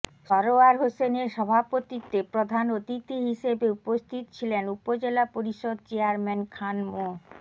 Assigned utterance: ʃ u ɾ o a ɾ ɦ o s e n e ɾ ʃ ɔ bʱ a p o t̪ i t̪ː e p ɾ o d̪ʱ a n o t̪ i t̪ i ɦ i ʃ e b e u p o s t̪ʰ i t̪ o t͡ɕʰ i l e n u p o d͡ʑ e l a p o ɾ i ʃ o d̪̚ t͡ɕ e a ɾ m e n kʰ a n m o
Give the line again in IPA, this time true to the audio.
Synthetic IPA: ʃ ɔ ɾ o a ɾ ɦ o s e n e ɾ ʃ ɔ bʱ a p o t̪ i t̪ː e p ɾ o d̪ʱ a n o t̪ i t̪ i ɦ i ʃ e b e u p o s t̪ʰ i t̪ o t͡ɕʰ i l e n u p o d͡ʑ e l a p o ɾ i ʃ o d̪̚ t͡ɕ e a ɾ m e n kʰ a n m o